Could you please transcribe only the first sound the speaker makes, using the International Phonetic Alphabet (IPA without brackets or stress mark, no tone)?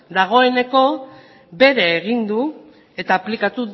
d̪